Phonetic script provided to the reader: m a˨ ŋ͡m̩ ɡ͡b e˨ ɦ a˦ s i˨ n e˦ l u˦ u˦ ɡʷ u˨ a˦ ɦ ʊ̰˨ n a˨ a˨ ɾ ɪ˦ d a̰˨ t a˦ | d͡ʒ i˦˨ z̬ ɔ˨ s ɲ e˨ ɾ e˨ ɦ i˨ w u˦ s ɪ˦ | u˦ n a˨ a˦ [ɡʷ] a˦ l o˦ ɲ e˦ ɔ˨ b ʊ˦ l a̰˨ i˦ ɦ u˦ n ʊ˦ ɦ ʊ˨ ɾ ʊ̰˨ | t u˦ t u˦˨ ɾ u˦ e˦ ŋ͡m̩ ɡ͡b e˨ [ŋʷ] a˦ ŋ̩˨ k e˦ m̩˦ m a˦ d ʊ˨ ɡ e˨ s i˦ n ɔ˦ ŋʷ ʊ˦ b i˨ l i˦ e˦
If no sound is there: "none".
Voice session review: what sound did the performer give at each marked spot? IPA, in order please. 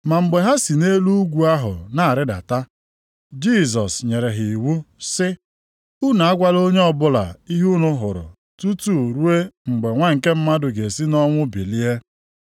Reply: ɡʷ, ŋʷ

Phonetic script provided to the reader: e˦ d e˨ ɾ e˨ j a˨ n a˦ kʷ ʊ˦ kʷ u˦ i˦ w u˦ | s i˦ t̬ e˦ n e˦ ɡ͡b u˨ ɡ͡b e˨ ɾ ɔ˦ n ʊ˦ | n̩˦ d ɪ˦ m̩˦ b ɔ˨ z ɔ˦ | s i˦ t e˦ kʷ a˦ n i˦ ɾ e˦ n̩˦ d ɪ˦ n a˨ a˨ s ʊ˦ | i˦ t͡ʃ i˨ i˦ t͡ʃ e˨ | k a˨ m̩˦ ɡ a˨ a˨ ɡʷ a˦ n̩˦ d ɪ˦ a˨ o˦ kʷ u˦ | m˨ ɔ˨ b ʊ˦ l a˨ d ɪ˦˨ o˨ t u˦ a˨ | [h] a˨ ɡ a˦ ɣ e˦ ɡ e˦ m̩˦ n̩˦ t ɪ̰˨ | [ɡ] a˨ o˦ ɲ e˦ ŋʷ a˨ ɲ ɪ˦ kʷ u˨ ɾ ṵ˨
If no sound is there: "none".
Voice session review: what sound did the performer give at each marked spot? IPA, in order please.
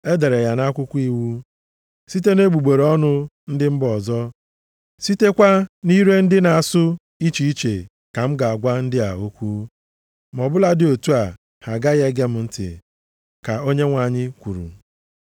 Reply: h, k

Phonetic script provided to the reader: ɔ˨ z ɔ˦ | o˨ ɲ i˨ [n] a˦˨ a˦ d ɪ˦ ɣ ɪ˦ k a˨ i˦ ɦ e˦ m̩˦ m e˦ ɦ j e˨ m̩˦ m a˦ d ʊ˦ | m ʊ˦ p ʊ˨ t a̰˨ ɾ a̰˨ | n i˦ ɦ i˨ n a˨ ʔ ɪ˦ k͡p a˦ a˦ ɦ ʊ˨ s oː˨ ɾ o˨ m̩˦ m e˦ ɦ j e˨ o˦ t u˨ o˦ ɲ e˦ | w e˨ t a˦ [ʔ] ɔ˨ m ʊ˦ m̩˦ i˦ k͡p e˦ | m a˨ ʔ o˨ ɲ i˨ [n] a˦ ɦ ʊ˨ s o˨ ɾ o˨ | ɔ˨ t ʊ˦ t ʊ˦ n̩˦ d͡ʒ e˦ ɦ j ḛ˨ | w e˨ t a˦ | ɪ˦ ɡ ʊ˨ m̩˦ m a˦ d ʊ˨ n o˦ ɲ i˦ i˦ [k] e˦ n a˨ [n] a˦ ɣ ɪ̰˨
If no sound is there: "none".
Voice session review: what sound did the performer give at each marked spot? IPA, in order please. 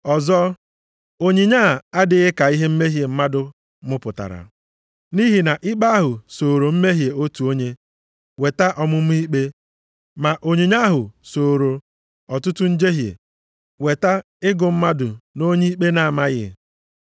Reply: ɲ, ʔ, ɲ, k͡p, m

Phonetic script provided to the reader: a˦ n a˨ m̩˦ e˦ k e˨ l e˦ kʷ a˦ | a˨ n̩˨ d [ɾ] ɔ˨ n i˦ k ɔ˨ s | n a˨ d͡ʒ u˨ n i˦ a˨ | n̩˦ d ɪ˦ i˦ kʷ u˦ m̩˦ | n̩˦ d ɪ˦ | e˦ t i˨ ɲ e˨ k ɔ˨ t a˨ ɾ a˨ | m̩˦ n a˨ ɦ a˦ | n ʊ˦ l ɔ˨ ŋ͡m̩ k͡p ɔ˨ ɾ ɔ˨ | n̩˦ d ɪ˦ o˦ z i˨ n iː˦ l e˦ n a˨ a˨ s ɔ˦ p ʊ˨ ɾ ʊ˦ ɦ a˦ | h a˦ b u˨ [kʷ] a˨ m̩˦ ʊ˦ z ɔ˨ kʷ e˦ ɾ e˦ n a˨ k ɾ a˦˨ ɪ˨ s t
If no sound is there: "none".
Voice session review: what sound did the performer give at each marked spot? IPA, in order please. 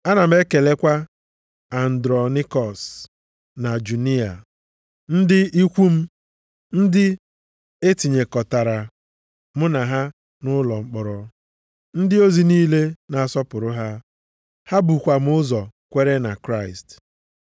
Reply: ɾ, kʷ

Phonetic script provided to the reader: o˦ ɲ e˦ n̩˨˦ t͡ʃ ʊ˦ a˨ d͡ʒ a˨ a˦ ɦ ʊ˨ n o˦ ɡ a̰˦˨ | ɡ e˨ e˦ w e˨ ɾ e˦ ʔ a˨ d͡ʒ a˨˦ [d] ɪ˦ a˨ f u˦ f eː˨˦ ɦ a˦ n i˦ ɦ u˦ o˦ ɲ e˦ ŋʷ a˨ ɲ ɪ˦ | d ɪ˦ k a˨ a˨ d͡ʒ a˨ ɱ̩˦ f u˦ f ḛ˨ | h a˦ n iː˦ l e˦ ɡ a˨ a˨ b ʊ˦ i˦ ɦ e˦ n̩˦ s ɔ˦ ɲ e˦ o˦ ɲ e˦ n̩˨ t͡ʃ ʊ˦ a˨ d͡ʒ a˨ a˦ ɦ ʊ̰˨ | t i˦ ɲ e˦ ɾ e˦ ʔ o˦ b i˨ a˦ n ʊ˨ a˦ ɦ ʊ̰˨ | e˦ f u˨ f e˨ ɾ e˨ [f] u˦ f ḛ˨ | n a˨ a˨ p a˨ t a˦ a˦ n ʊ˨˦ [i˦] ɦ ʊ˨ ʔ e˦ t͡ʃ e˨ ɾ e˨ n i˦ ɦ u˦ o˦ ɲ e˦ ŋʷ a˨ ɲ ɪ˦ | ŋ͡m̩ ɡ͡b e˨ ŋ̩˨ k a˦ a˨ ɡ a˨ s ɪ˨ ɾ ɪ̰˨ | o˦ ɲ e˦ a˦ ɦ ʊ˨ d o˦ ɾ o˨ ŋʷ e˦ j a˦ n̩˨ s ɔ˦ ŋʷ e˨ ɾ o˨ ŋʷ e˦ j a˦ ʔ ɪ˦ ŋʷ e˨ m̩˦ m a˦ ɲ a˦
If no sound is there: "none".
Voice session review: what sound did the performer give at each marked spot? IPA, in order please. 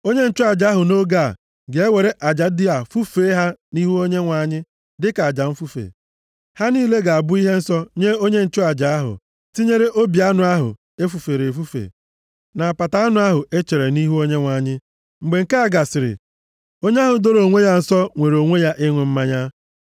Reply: d, f, a˦

